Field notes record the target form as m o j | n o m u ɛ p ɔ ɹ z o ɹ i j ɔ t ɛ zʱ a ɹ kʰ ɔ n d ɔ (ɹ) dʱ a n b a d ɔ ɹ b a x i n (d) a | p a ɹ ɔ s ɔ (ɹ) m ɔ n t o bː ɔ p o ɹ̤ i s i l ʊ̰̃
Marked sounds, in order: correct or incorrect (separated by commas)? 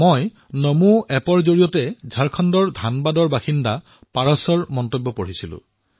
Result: correct, correct, correct